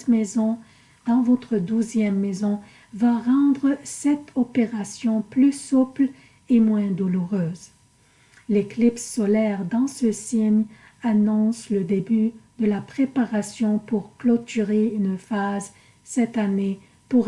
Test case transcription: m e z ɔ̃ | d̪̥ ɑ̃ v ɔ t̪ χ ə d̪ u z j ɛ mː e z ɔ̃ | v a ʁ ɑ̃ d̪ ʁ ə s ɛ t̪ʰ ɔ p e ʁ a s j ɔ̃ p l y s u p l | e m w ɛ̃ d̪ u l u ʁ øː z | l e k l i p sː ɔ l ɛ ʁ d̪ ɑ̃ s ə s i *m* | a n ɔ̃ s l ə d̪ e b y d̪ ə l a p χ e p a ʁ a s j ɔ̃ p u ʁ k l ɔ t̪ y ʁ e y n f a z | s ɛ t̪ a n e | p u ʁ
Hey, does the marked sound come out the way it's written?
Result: no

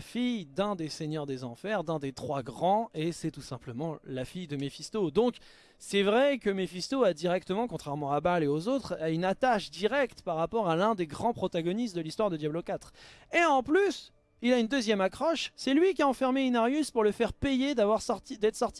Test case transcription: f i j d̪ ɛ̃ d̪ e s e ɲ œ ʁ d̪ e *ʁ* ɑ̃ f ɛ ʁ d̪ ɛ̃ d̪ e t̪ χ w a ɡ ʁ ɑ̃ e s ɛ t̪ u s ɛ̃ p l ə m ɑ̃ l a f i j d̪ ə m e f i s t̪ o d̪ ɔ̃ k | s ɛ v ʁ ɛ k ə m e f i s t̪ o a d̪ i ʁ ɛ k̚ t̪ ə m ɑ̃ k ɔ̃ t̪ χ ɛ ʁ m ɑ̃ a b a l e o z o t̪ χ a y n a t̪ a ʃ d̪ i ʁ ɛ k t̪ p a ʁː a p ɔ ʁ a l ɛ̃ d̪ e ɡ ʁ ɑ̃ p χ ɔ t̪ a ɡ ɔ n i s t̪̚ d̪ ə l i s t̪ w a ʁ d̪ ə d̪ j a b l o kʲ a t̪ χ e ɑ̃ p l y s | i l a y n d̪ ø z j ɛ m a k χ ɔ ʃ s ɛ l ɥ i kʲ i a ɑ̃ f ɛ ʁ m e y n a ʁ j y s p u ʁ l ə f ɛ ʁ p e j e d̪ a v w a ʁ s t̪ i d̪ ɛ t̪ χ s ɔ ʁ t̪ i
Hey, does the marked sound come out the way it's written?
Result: no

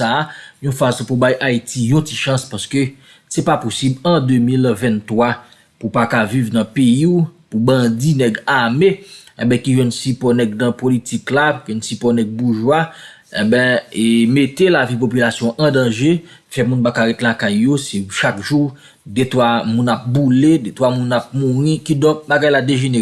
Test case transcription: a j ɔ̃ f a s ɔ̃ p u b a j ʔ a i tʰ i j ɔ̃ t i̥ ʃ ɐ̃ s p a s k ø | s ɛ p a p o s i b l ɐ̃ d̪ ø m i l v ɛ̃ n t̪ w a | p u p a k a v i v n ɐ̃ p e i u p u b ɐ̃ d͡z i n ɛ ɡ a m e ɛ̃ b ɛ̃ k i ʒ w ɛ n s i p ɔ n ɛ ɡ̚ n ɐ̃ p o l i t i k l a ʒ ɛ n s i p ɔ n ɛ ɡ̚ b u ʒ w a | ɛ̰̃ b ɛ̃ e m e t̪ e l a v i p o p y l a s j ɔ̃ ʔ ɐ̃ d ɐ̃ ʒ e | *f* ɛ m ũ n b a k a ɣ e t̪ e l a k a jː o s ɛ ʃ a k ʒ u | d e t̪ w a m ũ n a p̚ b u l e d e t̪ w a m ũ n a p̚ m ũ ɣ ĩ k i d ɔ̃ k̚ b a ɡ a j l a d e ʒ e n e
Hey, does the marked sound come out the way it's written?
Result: yes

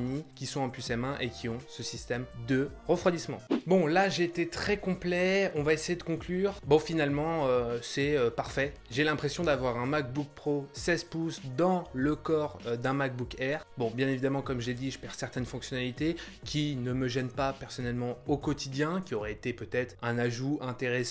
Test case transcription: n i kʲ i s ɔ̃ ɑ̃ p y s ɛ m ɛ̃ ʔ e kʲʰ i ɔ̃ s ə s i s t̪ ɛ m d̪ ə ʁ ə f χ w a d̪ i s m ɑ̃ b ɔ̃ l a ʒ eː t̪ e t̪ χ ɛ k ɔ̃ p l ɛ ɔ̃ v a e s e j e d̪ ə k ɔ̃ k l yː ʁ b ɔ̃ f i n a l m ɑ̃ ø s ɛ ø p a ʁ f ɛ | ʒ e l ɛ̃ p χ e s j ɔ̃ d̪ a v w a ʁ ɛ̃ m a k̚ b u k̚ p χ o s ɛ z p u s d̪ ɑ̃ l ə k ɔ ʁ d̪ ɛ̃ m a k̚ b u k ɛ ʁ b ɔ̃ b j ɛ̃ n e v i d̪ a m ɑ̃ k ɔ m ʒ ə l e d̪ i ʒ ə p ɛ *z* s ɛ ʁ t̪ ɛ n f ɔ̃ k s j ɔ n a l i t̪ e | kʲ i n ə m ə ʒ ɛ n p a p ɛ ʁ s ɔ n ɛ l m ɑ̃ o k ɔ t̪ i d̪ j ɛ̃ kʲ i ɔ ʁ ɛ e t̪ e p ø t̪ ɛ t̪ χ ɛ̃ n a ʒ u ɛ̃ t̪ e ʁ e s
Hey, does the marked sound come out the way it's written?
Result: no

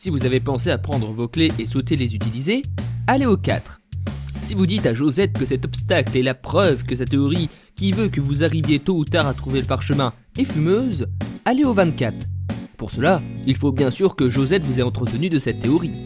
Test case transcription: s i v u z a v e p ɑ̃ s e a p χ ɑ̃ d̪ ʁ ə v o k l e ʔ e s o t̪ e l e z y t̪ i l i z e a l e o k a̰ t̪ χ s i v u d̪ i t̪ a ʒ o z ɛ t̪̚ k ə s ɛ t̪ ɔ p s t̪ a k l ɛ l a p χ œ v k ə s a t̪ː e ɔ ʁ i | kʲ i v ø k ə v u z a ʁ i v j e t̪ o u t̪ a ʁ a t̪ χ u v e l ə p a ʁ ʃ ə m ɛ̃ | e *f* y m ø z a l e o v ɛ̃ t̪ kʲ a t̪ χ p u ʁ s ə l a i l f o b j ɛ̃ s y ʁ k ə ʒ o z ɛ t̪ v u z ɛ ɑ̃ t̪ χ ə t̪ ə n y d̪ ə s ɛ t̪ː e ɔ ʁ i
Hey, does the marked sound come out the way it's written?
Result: yes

